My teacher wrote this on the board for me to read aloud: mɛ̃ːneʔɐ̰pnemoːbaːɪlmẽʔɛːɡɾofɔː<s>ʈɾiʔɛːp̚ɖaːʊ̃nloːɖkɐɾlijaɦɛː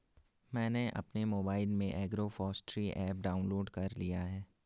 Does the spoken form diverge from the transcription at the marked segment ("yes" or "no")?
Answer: no